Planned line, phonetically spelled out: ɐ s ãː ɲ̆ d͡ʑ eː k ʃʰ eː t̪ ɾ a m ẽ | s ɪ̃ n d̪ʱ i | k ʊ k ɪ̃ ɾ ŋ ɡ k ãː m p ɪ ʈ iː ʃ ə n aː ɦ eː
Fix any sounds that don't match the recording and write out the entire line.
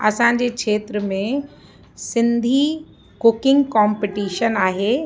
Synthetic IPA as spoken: ɐ s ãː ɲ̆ d͡ʑ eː k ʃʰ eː t̪ ɾ ə m ẽ | s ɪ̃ n d̪ʱ i | k ʊ k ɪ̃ ŋ ɡ k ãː m p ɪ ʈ iː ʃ ə n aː ɦ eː